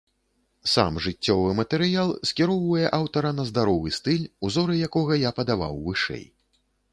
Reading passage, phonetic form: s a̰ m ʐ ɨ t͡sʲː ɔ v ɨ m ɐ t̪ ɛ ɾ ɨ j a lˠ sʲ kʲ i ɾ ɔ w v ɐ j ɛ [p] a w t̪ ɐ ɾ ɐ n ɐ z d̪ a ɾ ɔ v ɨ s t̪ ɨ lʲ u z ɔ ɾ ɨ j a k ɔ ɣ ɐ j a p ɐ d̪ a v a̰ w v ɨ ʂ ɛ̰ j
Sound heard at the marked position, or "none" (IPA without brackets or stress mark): ʔ